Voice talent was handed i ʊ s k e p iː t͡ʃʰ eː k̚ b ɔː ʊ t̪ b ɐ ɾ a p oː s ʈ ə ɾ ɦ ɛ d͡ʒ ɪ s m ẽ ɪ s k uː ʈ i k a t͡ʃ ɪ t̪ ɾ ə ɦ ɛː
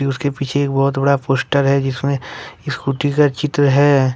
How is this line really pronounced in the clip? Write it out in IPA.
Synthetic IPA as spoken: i ʊ s k e p iː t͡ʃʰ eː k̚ b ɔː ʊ t̪ b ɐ ɽ a p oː s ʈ ə ɾ ɦ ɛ d͡ʒ ɪ s m ẽ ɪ s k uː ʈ i k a t͡ʃ ɪ t̪ ɾ ə ɦ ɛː